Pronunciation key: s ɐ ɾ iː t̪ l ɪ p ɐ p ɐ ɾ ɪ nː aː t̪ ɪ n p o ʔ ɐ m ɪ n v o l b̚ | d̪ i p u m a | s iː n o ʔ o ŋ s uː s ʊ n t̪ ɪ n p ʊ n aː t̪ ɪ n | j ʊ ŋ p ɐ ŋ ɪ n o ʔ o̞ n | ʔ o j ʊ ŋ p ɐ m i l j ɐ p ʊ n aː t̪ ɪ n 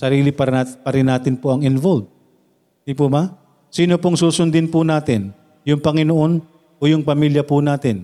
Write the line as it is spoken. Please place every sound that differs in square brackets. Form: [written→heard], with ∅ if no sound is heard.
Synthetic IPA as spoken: s ɐ ɾ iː [t̪→∅] l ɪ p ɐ p ɐ ɾ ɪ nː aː t̪ ɪ n p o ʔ ɐ [m→ŋ] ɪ n v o l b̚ | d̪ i p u m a | s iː n o [ʔ→p] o ŋ s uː s ʊ n [t̪→d̪] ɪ n p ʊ n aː t̪ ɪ n | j ʊ ŋ p ɐ ŋ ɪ n o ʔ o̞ n | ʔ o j ʊ ŋ p ɐ m i l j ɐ p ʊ n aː t̪ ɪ n